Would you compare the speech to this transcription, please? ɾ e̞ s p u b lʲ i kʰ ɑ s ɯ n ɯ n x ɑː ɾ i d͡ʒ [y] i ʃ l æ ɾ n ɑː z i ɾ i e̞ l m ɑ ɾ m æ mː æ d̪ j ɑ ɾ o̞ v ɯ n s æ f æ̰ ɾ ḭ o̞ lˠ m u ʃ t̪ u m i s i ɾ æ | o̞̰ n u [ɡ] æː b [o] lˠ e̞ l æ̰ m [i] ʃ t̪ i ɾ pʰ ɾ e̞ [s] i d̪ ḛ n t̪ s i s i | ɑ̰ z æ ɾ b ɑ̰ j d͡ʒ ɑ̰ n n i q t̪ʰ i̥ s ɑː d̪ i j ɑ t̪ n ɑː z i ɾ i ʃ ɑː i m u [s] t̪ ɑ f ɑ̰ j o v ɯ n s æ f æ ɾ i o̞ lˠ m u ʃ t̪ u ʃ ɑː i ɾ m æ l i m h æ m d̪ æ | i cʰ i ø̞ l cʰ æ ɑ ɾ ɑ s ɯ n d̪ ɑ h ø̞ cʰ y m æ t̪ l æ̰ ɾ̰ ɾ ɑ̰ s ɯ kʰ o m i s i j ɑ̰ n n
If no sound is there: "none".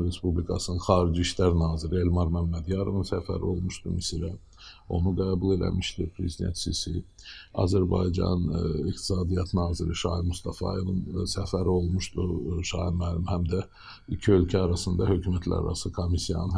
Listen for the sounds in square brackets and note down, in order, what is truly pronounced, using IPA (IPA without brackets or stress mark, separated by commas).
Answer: i, ɡ, u, i, z, s